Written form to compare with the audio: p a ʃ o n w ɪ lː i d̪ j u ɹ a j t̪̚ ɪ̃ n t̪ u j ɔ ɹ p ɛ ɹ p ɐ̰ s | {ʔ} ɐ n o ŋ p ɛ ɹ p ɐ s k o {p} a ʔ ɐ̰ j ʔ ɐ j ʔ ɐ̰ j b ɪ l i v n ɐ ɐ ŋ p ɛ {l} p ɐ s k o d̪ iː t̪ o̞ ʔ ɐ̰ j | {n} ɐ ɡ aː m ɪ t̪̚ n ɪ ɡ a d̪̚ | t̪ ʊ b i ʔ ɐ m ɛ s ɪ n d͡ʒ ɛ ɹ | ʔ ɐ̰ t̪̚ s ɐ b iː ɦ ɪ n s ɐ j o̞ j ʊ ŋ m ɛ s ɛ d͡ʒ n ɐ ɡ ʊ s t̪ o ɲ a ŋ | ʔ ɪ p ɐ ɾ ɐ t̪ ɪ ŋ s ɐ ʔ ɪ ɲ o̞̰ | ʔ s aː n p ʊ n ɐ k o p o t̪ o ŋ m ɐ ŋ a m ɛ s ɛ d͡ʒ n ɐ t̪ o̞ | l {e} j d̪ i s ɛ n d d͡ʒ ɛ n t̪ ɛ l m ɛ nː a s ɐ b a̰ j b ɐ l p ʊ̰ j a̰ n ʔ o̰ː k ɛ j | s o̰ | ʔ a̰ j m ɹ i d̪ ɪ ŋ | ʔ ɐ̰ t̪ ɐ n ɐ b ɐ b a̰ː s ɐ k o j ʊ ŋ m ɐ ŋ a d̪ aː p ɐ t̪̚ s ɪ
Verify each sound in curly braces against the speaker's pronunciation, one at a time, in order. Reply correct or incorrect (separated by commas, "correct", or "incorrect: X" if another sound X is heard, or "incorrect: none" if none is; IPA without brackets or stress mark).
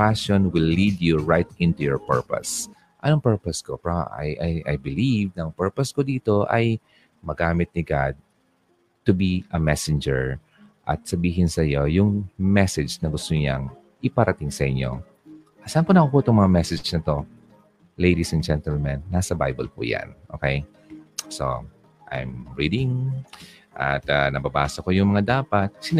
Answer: correct, correct, incorrect: ɹ, incorrect: m, correct